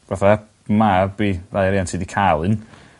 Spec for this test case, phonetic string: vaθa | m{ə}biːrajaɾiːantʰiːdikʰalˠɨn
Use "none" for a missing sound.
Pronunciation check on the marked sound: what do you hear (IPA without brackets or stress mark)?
a